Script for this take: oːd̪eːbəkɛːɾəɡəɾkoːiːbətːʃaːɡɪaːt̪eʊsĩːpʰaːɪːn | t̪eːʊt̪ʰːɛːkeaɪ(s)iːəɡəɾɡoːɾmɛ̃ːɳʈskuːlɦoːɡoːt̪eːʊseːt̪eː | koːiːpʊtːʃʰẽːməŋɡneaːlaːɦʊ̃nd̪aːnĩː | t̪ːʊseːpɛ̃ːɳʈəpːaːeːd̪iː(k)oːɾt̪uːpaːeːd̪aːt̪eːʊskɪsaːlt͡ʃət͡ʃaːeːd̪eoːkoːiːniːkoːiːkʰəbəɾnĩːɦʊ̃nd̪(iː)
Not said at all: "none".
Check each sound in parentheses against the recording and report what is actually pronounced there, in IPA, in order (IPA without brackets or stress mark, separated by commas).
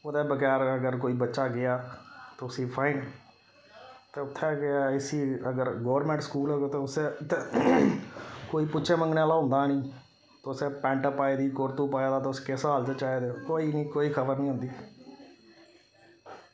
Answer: s, k, iː